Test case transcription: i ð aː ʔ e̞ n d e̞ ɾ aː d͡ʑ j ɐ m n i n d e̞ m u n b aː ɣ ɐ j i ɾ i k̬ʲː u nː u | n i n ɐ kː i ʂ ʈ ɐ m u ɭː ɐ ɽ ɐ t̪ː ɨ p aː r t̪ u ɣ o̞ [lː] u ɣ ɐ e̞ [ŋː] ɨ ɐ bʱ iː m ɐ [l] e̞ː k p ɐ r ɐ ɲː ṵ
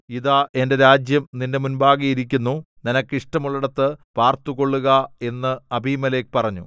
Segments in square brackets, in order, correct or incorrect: incorrect: ɭː, incorrect: nː, correct

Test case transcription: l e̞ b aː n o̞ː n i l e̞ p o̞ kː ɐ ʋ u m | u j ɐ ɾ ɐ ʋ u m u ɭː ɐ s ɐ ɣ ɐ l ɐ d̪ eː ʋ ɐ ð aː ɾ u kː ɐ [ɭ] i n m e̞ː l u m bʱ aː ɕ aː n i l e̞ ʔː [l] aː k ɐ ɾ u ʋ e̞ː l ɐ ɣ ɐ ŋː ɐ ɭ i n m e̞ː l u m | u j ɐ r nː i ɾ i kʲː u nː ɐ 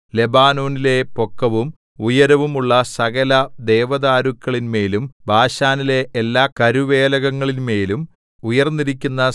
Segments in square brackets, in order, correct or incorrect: correct, incorrect: lː

